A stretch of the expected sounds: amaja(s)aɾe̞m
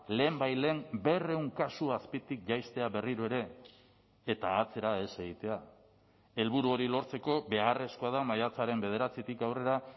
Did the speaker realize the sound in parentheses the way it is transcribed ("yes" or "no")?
no